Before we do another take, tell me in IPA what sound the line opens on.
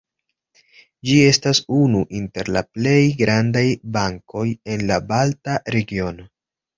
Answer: d͡ʒ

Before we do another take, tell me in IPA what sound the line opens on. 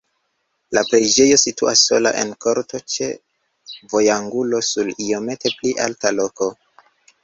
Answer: l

